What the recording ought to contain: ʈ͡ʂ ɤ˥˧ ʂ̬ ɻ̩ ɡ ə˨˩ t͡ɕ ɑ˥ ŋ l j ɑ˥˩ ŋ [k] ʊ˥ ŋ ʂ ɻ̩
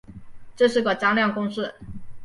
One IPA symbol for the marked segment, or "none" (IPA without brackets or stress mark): k